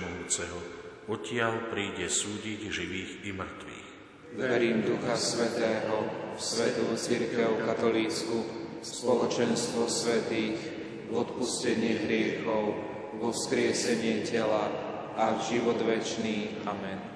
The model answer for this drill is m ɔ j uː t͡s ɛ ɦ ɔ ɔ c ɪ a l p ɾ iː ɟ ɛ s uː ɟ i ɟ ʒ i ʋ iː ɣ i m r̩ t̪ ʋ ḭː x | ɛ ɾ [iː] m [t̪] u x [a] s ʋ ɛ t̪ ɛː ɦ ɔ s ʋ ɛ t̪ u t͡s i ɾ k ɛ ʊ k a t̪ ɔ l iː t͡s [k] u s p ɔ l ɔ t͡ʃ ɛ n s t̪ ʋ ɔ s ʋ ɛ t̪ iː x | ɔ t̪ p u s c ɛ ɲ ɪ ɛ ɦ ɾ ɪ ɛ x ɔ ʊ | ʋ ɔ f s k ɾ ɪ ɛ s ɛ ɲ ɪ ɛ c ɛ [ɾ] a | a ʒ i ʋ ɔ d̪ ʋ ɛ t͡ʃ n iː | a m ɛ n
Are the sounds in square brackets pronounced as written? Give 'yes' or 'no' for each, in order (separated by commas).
yes, no, yes, yes, no